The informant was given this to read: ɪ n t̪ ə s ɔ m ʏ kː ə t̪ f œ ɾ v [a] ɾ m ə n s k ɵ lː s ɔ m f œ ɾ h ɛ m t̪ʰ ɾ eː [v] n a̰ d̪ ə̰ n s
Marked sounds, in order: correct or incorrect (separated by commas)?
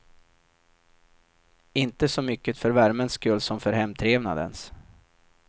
incorrect, correct